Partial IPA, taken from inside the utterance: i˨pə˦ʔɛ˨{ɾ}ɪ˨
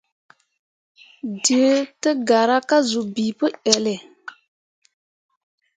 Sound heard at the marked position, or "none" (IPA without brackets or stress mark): l